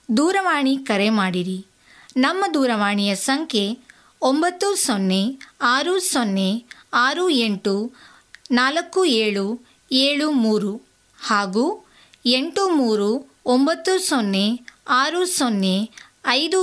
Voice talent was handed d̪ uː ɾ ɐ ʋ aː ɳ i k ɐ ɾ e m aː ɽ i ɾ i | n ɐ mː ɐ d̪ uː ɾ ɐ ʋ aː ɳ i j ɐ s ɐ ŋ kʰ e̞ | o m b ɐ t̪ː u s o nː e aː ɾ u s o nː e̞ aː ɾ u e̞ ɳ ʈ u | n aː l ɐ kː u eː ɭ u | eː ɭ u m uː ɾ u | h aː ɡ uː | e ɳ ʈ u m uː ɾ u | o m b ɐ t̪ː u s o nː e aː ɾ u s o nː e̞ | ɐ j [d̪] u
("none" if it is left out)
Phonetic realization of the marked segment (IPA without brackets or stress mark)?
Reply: d̪